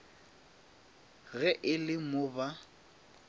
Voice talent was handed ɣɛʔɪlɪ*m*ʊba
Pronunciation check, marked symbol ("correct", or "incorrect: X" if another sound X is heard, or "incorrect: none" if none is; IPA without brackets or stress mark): correct